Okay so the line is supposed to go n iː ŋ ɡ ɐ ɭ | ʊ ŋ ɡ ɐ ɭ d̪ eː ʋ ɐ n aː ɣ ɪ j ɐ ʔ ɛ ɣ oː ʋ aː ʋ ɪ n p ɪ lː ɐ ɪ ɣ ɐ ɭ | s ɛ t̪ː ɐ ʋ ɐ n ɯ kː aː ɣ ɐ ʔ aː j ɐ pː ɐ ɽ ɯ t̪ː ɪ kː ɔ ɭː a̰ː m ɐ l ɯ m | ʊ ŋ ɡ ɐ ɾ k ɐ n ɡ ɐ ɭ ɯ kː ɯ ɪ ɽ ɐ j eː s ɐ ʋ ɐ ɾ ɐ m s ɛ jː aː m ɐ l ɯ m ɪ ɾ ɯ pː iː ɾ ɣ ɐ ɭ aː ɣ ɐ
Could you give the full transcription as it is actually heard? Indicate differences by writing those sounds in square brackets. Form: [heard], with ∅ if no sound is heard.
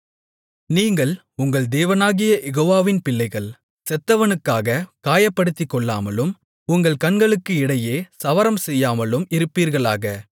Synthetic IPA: n iː ŋ ɡ ɐ ɭ | ʊ ŋ ɡ ɐ ɭ d̪ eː ʋ ɐ n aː ɣ ɪ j ɐ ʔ ɛ ɣ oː ʋ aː ʋ ɪ n p ɪ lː ɐ ɪ ɣ ɐ ɭ | s ɛ t̪ː ɐ ʋ ɐ n ɯ kː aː ɣ ɐ [k] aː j ɐ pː ɐ ɽ ɯ t̪ː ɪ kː ɔ ɭː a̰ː m ɐ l ɯ m | ʊ ŋ ɡ ɐ [ɭ] k ɐ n ɡ ɐ ɭ ɯ kː ɯ ɪ ɽ ɐ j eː s ɐ ʋ ɐ ɾ ɐ m s ɛ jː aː m ɐ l ɯ m ɪ ɾ ɯ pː iː ɾ ɣ ɐ ɭ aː ɣ ɐ